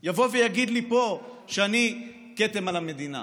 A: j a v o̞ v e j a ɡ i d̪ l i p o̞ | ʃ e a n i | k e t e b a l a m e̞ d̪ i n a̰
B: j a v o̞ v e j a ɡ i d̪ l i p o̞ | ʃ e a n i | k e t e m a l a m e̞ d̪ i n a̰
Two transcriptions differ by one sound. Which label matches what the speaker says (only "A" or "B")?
B